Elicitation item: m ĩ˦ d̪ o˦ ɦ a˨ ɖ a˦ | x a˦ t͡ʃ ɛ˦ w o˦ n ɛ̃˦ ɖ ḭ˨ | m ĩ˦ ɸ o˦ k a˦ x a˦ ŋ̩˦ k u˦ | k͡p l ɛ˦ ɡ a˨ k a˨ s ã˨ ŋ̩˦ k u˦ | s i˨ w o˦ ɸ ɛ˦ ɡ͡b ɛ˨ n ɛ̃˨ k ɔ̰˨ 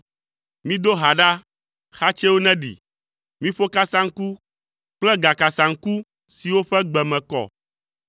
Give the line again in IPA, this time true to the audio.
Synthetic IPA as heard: m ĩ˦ d̪ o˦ ɦ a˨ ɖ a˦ | x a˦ t͡ʃ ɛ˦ w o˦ n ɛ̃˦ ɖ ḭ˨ | m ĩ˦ ɸ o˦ k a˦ s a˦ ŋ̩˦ k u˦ | k͡p l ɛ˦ ɡ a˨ k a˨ s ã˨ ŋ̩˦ k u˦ | s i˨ w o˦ ɸ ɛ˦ ɡ͡b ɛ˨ m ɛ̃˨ k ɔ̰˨